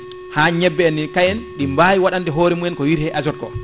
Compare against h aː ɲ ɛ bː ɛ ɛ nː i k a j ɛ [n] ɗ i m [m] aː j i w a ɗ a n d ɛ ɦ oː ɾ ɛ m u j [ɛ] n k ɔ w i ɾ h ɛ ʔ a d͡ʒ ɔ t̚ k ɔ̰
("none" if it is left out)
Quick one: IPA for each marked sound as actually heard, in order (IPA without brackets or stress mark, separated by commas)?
n, b, ɛ